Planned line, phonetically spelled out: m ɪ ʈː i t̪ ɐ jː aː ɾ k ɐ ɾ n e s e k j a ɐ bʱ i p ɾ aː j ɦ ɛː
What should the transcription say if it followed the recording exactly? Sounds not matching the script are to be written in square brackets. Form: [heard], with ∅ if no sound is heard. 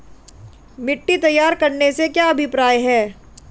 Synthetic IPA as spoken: m ɪ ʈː i t̪ ɐ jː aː ɾ k ɐ ɾ n e s e k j a ɐ bʱ [ɪ] p ɾ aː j ɦ ɛː